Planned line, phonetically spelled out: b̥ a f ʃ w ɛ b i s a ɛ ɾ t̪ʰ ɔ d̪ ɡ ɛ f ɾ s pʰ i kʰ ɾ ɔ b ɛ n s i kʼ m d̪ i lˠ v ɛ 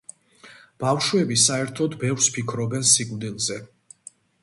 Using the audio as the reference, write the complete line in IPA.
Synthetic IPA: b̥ a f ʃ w ɛ b i s a ɛ ɾ t̪ʰ ɔ d̪ b ɛ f ɾ s pʰ i kʰ ɾ ɔ b ɛ n s i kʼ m d̪ i lˠ z ɛ